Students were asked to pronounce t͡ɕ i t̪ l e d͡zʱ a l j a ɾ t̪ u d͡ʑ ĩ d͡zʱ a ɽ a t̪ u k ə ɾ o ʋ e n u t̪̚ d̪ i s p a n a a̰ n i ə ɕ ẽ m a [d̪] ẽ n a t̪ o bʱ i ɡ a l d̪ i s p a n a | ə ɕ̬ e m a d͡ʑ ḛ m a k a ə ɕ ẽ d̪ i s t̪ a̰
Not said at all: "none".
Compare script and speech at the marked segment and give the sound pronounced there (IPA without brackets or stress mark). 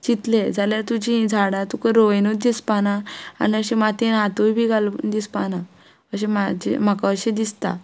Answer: t̪